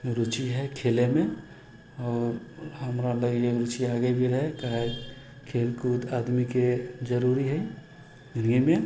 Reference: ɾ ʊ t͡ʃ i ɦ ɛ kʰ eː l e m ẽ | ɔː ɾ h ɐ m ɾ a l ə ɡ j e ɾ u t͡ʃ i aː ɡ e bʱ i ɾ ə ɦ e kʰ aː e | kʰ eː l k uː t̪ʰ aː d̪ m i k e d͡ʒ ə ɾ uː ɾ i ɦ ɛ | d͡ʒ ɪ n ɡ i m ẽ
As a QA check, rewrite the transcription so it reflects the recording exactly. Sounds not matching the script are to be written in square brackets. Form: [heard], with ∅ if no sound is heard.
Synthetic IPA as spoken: ɾ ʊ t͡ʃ i ɦ ɛ kʰ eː l e m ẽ | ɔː ɾ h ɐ m ɾ a l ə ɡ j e ɾ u t͡ʃ i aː ɡ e bʱ i ɾ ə ɦ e [k] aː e | kʰ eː l k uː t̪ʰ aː d̪ m i k e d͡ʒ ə ɾ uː ɾ i ɦ ɛ | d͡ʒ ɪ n ɡ i m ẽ